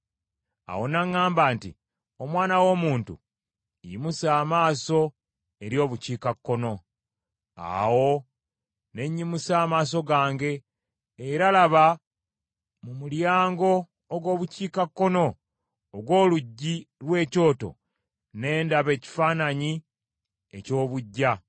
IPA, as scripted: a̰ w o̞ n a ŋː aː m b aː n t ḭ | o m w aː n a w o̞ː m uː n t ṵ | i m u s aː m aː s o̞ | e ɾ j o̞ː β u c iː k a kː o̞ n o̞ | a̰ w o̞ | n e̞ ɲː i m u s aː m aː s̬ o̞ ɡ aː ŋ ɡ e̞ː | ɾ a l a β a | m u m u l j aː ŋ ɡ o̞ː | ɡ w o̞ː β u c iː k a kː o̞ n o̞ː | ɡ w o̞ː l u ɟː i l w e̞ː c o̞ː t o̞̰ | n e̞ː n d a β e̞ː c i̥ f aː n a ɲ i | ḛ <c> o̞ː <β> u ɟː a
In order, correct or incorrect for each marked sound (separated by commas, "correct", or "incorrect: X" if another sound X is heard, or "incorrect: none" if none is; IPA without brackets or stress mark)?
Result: correct, correct